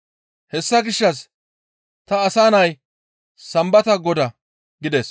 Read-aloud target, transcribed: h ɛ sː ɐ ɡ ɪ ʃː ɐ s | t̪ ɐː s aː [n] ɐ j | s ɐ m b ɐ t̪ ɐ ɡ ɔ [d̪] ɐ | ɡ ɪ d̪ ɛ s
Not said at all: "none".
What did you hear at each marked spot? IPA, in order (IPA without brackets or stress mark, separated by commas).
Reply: n, d̪